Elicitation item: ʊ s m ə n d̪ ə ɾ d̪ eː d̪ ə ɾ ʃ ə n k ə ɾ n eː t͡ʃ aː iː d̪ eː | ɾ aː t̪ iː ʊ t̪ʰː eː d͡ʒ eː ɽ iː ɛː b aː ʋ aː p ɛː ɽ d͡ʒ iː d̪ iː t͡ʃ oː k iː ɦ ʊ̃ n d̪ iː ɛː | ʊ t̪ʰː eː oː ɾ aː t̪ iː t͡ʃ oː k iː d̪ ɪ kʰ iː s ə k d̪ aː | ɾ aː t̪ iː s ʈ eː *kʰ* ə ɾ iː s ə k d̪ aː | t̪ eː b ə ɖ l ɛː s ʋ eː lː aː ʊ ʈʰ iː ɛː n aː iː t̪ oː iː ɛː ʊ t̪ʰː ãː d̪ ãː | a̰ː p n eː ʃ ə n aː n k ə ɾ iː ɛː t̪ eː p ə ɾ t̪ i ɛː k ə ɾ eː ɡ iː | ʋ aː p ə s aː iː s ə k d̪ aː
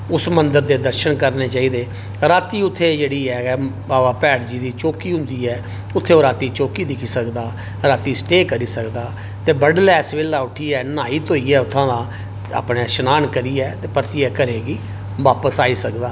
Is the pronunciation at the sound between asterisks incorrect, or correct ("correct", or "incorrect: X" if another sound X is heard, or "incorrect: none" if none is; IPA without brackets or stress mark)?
incorrect: k